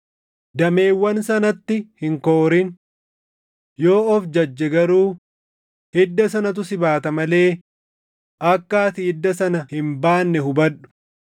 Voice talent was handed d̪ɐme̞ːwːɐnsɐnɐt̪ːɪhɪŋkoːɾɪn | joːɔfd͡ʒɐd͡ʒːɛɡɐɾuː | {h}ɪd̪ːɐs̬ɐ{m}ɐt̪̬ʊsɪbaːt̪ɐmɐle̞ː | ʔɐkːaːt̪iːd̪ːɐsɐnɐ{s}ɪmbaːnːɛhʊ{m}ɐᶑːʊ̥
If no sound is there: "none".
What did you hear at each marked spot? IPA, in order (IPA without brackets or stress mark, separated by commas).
h, n, h, b